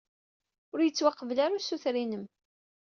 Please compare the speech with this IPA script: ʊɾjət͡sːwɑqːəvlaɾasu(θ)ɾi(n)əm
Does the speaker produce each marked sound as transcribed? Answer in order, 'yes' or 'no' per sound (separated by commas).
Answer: yes, yes